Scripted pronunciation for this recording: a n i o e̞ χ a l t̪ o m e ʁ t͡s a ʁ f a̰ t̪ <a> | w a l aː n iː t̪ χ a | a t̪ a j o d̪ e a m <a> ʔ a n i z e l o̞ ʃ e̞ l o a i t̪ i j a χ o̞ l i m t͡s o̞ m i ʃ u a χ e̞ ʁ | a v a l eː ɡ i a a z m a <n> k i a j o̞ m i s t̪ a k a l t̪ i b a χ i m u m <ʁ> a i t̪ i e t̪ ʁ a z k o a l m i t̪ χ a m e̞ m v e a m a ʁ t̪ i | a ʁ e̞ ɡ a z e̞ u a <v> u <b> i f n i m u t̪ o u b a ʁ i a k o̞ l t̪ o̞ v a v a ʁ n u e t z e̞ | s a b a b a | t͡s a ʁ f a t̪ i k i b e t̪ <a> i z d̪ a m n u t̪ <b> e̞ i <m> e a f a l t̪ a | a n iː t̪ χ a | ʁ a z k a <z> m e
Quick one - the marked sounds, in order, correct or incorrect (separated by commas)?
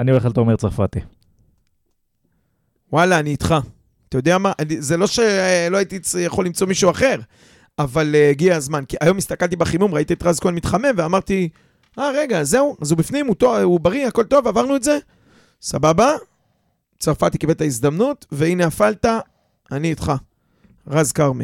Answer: incorrect, correct, correct, correct, incorrect, correct, correct, incorrect, incorrect, incorrect